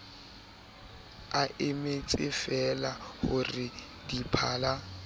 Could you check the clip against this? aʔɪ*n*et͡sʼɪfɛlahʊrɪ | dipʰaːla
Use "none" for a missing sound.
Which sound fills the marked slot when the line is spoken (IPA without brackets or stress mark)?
m